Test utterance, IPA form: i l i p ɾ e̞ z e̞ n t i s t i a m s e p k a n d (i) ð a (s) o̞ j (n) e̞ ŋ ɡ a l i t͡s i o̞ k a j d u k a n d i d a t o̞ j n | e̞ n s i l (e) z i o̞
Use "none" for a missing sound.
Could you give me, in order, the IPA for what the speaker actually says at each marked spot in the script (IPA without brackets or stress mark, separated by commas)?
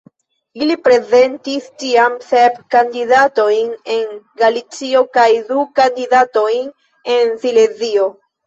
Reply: i, t, n, e